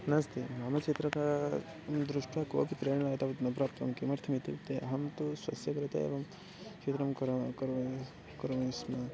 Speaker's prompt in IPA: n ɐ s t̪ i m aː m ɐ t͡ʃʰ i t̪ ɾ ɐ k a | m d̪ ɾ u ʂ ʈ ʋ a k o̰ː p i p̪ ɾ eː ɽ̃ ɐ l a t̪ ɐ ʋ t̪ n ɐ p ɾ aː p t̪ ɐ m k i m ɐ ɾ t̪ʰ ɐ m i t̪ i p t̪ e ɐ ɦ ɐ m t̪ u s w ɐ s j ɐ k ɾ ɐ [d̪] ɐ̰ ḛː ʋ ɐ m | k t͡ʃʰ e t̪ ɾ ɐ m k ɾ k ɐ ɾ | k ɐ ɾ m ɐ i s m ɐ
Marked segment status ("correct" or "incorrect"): incorrect